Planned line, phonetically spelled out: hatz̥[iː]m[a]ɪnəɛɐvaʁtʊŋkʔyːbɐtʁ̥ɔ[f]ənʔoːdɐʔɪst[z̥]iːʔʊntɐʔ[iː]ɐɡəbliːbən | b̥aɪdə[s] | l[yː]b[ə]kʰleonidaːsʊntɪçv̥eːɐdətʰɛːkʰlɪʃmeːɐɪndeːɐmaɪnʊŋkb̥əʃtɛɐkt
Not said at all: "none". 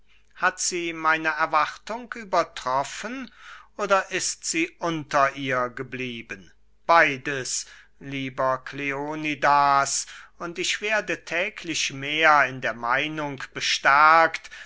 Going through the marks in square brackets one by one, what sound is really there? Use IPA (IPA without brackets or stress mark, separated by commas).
iː, a, f, z̥, iː, s, iː, ɐ